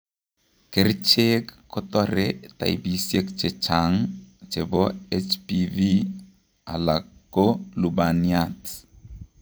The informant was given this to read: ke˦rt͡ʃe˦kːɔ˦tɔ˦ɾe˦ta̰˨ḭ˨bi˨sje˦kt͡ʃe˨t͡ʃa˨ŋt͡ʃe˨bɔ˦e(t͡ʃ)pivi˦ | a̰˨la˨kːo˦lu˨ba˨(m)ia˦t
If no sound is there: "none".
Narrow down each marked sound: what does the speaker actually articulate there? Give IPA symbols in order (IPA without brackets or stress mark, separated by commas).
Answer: t͡ʃ, n